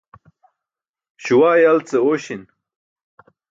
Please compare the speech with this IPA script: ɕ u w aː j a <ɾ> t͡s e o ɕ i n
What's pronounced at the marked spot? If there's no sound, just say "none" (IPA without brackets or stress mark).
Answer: l